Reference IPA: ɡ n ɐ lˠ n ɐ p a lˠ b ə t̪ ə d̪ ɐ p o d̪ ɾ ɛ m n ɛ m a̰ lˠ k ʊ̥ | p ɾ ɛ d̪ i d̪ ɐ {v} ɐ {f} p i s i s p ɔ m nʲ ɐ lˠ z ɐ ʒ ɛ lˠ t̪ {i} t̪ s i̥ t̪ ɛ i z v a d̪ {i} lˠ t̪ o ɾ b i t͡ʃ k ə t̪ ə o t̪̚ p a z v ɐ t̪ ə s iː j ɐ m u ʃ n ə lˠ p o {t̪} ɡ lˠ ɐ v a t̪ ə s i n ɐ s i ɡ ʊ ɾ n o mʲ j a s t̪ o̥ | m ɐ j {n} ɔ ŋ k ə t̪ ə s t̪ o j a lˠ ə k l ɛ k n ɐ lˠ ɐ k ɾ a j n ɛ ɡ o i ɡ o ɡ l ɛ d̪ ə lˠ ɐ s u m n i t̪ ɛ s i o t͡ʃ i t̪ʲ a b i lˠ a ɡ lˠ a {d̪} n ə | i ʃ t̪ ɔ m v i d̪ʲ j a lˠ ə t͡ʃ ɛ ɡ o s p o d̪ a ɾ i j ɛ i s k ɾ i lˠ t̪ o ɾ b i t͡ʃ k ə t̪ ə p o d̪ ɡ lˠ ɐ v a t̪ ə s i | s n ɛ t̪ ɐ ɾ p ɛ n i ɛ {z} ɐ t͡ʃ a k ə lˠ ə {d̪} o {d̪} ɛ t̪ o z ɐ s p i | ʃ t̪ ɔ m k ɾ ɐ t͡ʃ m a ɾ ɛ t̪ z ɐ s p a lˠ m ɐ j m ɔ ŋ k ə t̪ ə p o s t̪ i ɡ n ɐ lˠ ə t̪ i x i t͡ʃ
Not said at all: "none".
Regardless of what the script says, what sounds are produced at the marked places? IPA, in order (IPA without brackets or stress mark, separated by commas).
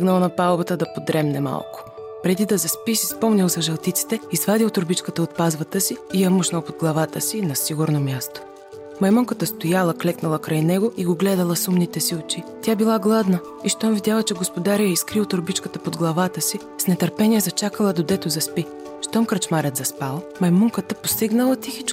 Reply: z, s, i, i, d̪, m, d̪, z, d̪, d̪